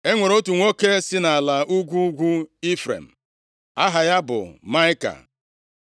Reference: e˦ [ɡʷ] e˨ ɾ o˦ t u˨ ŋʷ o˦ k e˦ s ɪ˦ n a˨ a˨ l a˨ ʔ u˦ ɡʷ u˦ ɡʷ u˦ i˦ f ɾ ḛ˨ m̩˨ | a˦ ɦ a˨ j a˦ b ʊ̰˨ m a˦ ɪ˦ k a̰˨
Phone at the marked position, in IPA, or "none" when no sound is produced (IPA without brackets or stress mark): ŋʷ